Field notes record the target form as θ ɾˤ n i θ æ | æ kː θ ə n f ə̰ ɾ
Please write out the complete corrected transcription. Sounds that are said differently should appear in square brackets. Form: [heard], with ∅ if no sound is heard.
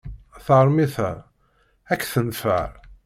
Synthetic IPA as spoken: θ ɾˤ [m] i θ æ | æ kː θ ə n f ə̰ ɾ